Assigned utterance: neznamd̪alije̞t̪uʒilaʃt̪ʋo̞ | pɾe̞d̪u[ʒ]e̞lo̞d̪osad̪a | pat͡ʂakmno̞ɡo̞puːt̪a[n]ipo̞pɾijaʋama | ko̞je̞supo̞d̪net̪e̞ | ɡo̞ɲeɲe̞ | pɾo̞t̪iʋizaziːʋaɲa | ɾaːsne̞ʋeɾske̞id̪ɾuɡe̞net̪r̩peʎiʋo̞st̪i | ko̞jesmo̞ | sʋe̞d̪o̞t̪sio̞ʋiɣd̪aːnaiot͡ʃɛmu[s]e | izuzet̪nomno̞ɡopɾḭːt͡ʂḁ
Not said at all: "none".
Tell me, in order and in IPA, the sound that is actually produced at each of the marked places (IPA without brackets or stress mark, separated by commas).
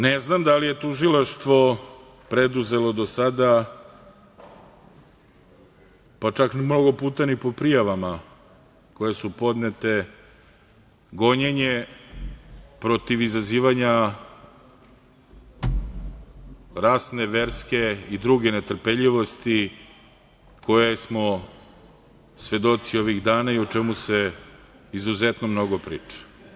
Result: z, n, s